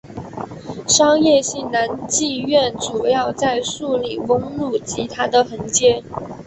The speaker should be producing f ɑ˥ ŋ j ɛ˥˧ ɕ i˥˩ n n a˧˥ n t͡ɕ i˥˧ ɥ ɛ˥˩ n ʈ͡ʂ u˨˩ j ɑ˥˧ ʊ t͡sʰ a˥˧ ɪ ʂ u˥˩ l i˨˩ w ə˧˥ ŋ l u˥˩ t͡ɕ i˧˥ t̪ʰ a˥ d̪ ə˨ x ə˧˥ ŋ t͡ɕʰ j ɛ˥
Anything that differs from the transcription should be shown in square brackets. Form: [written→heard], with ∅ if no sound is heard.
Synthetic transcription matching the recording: [f→ʂ] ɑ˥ ŋ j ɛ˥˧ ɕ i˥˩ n n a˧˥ n t͡ɕ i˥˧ ɥ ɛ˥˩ n ʈ͡ʂ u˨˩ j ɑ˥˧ ʊ [t͡sʰ→t͡s] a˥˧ ɪ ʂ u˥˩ l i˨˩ w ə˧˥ ŋ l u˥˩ t͡ɕ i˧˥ t̪ʰ a˥ d̪ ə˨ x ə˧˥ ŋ [t͡ɕʰ→t͡ɕ] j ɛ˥

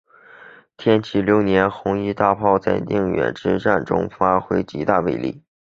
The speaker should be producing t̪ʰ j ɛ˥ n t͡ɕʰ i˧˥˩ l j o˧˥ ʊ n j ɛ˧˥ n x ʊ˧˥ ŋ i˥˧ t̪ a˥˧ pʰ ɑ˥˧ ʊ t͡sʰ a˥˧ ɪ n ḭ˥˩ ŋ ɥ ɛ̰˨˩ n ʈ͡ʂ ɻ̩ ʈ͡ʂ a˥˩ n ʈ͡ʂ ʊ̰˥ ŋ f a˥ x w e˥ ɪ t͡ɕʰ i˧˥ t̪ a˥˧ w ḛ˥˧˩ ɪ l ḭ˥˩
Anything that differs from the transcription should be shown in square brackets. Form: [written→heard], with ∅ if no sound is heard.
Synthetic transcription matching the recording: t̪ʰ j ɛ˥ n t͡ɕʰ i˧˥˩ l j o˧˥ ʊ n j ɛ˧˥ n x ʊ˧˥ ŋ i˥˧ t̪ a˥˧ pʰ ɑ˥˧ ʊ [t͡sʰ→t͡s] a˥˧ ɪ n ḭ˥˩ ŋ ɥ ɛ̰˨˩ n ʈ͡ʂ ɻ̩ ʈ͡ʂ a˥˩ n ʈ͡ʂ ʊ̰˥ ŋ f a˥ x w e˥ ɪ [t͡ɕʰ→t͡ɕ] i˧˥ t̪ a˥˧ w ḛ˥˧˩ ɪ l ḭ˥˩

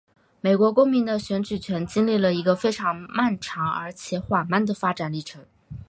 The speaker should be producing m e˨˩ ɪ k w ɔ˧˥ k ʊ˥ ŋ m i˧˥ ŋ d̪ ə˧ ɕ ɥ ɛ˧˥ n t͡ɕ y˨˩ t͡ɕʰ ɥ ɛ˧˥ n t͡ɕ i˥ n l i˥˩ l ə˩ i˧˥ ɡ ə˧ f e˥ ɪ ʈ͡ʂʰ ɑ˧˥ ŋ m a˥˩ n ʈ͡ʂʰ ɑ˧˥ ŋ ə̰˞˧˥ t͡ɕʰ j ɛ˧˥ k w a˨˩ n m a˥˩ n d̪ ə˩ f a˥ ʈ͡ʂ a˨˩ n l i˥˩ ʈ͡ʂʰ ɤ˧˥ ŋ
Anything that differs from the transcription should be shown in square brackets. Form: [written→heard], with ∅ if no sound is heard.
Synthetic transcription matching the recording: m e˨˩ ɪ k w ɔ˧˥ k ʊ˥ ŋ m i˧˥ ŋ d̪ ə˧ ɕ ɥ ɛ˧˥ n t͡ɕ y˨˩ t͡ɕʰ ɥ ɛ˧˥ n t͡ɕ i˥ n l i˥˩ l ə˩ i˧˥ ɡ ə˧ f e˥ ɪ ʈ͡ʂʰ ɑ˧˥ ŋ m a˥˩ n ʈ͡ʂʰ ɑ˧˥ ŋ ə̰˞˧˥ t͡ɕʰ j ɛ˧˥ [k→x] w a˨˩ n m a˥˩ n d̪ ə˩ f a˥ ʈ͡ʂ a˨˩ n l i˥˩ ʈ͡ʂʰ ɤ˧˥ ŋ

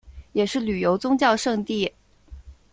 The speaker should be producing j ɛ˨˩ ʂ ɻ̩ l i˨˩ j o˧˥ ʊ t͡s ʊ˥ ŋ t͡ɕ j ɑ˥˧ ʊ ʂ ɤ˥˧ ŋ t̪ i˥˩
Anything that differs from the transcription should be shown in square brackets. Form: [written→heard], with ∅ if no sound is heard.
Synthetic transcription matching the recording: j ɛ˨˩ ʂ ɻ̩ l [i˨˩→y˨˩] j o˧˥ ʊ t͡s ʊ˥ ŋ t͡ɕ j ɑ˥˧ ʊ ʂ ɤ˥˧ ŋ t̪ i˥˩

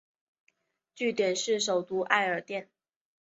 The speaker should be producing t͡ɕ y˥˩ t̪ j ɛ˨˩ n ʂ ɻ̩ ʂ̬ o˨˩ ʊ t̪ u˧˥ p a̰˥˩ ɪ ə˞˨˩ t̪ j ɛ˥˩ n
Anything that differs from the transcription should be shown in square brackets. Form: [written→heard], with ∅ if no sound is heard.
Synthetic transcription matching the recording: t͡ɕ y˥˩ t̪ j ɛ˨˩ n ʂ ɻ̩ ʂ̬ o˨˩ ʊ t̪ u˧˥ [p→ʔ] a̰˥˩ ɪ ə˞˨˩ t̪ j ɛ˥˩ n

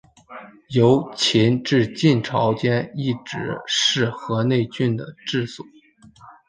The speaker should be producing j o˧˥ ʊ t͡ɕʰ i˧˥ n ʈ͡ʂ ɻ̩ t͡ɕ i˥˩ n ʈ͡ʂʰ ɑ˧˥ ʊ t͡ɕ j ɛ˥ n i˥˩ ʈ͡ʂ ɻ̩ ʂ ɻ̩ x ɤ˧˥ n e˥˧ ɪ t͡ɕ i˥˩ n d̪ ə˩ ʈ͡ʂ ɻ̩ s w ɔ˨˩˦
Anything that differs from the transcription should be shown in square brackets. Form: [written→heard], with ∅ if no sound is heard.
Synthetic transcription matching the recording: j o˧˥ ʊ t͡ɕʰ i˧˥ n ʈ͡ʂ ɻ̩ t͡ɕ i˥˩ n ʈ͡ʂʰ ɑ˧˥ ʊ t͡ɕ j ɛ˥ n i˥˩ ʈ͡ʂ ɻ̩ ʂ ɻ̩ x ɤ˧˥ n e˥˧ ɪ t͡ɕ [i˥˩→y˥˩] n d̪ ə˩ ʈ͡ʂ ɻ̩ s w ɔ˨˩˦

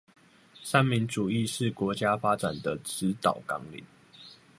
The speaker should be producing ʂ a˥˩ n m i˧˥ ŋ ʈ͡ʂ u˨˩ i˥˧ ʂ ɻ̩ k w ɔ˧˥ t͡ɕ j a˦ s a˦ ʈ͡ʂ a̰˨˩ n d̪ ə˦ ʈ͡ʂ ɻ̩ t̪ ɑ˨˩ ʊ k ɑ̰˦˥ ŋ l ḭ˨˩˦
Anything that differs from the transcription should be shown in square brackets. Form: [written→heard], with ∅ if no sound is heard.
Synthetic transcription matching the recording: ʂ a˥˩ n m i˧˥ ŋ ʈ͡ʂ u˨˩ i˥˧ ʂ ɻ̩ k w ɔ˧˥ t͡ɕ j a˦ [s→f] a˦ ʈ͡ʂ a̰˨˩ n d̪ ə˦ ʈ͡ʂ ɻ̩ t̪ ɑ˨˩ ʊ k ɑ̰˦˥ ŋ l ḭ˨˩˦

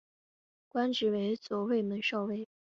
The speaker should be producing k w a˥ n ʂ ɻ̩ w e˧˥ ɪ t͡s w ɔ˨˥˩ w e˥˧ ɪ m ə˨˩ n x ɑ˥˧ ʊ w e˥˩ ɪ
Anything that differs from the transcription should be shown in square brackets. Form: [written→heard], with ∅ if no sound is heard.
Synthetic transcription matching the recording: k w a˥ n [ʂ→ʈ͡ʂ] ɻ̩ w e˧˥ ɪ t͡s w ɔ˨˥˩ w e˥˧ ɪ m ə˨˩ n [x→ʂ] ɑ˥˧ ʊ w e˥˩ ɪ

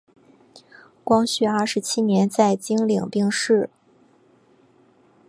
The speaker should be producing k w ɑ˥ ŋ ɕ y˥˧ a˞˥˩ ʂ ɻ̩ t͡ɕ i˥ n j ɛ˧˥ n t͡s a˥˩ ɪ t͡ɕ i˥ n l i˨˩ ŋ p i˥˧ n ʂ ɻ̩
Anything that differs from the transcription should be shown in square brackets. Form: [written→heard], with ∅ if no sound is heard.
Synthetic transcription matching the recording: k w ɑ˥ ŋ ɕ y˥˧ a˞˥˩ ʂ ɻ̩ [t͡ɕ→t͡ɕʰ] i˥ n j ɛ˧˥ n t͡s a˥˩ ɪ t͡ɕ i˥ [n→ŋ] l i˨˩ ŋ p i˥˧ [n→ŋ] ʂ ɻ̩

